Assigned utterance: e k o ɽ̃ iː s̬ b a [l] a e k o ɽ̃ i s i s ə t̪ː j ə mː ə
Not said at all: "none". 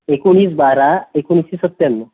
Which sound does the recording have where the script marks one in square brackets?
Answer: ɾ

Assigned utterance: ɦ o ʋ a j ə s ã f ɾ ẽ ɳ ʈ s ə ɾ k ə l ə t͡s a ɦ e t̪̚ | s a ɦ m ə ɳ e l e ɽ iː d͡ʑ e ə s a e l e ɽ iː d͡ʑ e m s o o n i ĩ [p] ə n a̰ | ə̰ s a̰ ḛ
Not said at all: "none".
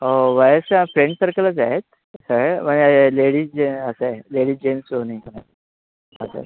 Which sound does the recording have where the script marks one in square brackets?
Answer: k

